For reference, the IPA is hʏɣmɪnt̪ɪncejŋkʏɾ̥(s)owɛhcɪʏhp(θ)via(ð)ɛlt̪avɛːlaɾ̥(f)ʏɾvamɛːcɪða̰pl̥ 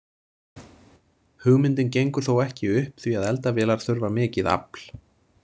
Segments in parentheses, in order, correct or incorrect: incorrect, correct, correct, incorrect

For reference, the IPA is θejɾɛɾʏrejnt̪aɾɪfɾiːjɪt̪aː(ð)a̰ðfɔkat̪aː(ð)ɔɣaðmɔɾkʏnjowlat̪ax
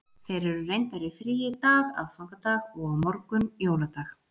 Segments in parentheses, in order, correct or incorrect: incorrect, incorrect

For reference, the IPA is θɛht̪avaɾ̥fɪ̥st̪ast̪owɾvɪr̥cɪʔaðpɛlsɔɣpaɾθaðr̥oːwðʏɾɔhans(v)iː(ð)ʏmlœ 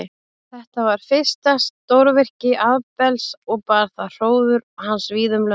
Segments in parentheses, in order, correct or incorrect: correct, correct

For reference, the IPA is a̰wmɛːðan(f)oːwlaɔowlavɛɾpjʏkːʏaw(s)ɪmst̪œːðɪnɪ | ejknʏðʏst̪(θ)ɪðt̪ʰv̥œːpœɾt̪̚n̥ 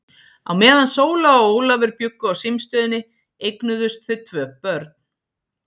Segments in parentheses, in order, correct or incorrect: incorrect, correct, correct

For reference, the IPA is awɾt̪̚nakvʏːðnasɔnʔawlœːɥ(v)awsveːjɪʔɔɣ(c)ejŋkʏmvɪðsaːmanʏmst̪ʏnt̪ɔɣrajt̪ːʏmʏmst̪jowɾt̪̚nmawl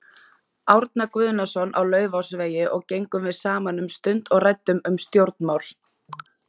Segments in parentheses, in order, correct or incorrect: correct, correct

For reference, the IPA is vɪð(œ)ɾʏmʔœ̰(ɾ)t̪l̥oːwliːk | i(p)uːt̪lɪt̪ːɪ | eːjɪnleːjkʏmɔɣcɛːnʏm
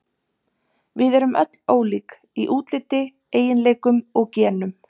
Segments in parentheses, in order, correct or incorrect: incorrect, incorrect, incorrect

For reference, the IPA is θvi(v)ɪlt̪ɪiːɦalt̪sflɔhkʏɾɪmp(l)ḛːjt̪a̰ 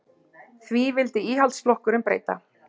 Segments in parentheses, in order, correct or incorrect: correct, incorrect

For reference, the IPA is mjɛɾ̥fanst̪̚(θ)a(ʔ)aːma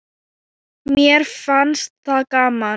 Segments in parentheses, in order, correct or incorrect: correct, incorrect

